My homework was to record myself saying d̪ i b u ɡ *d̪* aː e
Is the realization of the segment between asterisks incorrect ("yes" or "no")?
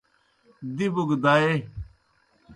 no